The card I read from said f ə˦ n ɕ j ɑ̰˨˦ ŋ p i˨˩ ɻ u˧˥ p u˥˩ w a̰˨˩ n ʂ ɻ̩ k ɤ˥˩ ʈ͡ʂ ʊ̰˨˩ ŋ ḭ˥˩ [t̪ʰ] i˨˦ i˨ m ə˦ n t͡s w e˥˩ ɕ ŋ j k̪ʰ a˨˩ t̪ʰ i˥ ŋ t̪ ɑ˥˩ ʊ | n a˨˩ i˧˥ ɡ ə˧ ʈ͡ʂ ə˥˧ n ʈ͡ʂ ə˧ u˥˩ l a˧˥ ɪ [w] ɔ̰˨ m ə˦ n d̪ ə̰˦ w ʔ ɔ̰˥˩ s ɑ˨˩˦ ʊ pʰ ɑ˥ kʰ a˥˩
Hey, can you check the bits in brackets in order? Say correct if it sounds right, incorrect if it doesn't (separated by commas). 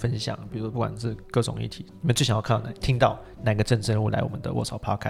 correct, correct